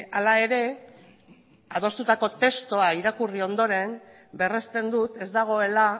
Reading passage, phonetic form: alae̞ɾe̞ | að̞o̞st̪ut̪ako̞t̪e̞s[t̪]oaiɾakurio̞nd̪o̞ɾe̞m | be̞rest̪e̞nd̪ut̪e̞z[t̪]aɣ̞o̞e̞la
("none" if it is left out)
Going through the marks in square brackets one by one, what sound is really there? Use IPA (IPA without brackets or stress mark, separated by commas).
t̪, d̪